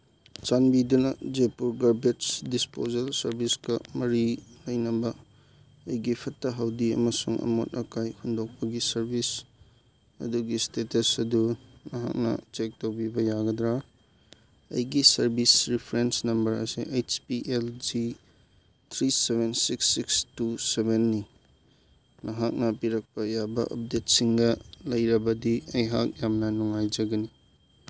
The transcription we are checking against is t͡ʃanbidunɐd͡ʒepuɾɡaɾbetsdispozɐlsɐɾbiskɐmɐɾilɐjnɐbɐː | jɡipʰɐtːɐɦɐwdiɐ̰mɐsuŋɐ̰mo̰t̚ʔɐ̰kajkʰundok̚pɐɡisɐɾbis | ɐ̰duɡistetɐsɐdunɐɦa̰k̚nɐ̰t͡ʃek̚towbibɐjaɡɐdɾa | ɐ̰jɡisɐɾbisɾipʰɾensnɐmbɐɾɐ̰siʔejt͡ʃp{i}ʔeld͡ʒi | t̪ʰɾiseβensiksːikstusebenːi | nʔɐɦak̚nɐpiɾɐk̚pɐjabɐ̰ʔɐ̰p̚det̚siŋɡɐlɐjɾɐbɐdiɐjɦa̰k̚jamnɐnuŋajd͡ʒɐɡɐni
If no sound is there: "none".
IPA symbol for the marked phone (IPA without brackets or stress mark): i